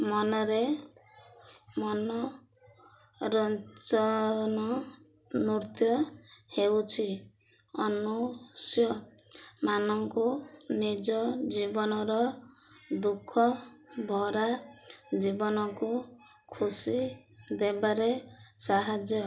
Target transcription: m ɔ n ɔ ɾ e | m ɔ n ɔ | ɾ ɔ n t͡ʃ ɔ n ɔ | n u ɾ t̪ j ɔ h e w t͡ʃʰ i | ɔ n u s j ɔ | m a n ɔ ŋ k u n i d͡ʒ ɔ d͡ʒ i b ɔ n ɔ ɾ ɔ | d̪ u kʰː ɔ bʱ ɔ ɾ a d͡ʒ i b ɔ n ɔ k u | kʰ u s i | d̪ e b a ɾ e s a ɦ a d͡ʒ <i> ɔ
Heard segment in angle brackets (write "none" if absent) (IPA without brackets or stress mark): j